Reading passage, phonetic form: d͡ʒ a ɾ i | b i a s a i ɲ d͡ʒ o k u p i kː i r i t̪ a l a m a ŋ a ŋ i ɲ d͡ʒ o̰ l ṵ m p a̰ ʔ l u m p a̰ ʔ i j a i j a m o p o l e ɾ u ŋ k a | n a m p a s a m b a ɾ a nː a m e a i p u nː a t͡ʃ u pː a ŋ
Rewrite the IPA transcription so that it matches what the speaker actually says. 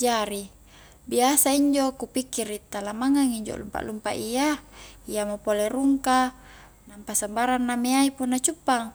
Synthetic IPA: d͡ʒ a ɾ i | b i a s a i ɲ d͡ʒ o k u p i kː i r i t̪ a l a m a ŋ a ŋ i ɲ d͡ʒ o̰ l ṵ m p a̰ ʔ l u m p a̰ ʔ i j a i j a m o p o l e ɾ u ŋ k a | n a m p a s a m b a ɾ a nː a m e a i p u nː a t͡ʃ u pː a ŋ